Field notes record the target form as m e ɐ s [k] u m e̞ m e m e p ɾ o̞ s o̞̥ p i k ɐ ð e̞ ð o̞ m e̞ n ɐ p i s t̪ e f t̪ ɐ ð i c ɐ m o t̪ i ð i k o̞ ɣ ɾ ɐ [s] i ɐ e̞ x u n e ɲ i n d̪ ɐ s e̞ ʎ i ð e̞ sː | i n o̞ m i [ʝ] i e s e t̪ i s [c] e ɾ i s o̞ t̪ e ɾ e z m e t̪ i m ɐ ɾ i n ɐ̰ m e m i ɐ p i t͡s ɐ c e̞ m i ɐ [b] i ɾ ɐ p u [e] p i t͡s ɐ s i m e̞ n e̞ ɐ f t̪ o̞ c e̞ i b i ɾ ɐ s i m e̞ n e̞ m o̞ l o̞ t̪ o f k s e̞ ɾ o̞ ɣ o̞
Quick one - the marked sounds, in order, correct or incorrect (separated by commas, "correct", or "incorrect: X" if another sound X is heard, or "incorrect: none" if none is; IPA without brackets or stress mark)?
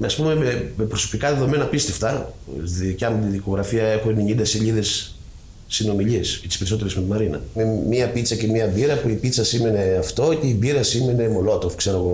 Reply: incorrect: p, incorrect: f, incorrect: ʎ, incorrect: p, correct, incorrect: i